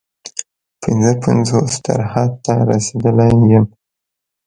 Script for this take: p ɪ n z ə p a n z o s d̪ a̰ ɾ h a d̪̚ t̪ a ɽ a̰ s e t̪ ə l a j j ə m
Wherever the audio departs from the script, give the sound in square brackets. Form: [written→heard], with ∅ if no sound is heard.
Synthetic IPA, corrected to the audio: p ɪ n z ə p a n z o s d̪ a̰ ɾ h a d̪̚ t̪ a [ɽ→ɾ] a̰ s e [t̪→d̪] ə l a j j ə m